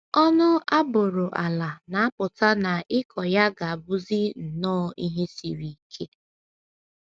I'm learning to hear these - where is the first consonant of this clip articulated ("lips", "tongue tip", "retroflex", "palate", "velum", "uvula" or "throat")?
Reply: tongue tip